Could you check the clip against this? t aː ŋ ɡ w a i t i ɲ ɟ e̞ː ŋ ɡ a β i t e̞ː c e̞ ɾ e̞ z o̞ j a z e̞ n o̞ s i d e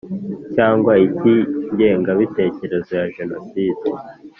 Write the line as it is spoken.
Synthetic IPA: c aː ŋ ɡ w a i t i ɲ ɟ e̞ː ŋ ɡ a β i t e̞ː c e̞ ɾ e̞ z o̞ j a ʒ e̞ n o̞ s i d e